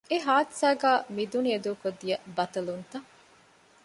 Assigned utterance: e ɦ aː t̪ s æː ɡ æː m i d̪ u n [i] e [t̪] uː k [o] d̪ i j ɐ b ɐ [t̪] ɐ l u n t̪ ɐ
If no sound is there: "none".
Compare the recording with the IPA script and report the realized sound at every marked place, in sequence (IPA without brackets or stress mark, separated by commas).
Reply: i, d̪, o, t̪